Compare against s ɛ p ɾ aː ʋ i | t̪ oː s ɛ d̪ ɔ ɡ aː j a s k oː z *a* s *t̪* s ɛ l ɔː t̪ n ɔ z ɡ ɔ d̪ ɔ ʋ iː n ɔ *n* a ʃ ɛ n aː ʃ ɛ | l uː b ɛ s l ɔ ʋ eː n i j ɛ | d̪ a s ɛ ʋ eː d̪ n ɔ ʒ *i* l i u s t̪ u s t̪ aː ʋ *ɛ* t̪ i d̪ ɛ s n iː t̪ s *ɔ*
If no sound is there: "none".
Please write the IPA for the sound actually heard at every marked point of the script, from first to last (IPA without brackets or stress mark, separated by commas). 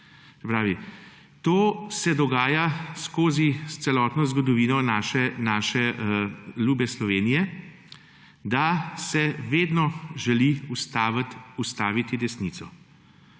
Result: i, t̪, n, ɛ, i, ɔ